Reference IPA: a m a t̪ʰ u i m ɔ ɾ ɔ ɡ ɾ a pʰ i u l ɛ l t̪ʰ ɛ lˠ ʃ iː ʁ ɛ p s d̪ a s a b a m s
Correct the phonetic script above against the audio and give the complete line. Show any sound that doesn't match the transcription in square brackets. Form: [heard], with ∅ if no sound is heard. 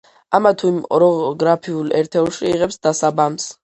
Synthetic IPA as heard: a m a t̪ʰ u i m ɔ ɾ ɔ ɡ ɾ a pʰ i u l ɛ [ɾ] t̪ʰ ɛ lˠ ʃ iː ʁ ɛ p s d̪ a s a b a m s